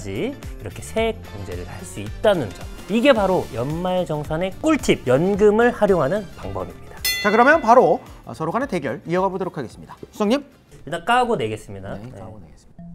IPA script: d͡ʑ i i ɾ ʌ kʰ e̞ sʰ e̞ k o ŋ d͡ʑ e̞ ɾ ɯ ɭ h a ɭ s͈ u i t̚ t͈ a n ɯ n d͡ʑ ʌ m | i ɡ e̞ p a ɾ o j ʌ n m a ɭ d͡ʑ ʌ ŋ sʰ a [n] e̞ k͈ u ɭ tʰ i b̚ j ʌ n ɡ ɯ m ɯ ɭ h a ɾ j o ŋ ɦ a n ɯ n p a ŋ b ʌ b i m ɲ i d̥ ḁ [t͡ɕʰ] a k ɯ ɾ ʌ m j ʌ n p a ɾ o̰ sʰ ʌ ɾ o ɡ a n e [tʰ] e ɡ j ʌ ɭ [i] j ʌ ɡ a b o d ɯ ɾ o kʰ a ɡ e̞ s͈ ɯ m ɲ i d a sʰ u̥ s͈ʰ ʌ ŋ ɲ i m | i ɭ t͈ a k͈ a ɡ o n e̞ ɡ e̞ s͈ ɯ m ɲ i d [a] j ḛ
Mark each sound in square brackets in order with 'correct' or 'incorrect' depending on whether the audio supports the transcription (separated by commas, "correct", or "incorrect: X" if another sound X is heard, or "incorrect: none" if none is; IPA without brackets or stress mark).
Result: correct, incorrect: t͡ɕ, incorrect: t, correct, correct